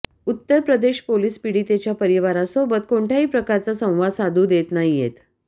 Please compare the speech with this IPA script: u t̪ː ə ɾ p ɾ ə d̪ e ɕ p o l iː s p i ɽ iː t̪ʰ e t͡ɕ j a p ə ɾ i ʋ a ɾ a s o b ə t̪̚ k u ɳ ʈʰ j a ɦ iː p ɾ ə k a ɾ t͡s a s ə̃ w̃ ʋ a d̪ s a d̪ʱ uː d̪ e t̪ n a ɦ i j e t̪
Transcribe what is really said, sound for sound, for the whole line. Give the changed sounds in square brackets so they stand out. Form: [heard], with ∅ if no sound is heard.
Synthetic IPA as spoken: u t̪ː ə ɾ p ɾ ə d̪ e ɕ p o l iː s p i ɽ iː [t̪] e t͡ɕ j a p ə ɾ i ʋ a ɾ a s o b ə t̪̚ k [o] ɳ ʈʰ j a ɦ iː p ɾ ə k a ɾ t͡s a s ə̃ w̃ ʋ a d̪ s a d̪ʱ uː d̪ e t̪ n a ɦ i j e t̪